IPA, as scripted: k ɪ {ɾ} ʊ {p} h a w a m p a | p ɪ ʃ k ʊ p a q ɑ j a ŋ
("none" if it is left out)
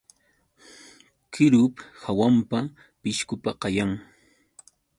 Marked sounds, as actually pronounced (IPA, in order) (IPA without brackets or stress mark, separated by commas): ɾ, p